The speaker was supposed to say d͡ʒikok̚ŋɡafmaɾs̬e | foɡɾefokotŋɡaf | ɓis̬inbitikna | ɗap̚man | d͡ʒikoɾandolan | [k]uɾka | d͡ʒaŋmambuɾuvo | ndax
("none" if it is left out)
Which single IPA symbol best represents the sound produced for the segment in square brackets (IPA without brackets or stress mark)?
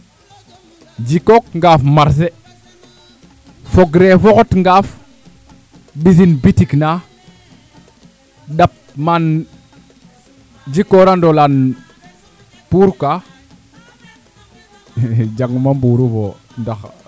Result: p